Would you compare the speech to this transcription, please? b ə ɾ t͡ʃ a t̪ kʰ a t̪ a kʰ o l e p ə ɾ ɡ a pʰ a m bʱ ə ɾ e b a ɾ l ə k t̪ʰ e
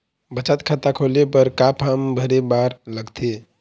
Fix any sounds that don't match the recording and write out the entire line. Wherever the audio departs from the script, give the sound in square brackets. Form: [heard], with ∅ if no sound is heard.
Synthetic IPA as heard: b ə [∅] t͡ʃ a t̪ kʰ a t̪ a kʰ o l e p ə ɾ [k] a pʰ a m bʱ ə ɾ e b a ɾ l ə [ɡ] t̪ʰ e